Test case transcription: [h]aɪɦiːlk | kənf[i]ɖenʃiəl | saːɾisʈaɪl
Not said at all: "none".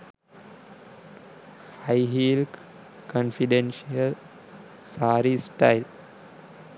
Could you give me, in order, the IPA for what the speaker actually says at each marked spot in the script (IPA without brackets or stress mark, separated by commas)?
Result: h, i